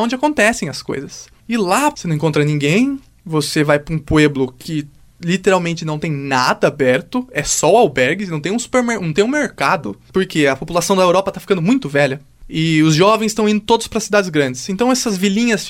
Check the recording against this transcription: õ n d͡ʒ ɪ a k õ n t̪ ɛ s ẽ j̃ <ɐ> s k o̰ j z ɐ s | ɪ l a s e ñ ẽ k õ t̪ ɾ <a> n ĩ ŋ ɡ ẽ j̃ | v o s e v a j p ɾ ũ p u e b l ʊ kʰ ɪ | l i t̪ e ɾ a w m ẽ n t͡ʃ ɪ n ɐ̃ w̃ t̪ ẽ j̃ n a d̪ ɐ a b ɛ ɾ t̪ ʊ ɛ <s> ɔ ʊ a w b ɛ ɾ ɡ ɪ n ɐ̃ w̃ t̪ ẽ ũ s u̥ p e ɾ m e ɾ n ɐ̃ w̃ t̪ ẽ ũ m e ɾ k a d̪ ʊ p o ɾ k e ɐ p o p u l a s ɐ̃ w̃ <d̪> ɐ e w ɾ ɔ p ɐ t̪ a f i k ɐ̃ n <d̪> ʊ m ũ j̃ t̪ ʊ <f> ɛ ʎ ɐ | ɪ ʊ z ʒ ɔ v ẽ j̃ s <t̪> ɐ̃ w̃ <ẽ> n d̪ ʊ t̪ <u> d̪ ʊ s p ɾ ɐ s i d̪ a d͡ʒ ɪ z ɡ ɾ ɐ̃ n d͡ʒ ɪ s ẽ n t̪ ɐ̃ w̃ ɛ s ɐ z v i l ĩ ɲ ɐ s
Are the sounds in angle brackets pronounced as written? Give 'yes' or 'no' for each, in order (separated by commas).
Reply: yes, no, yes, yes, yes, no, yes, no, no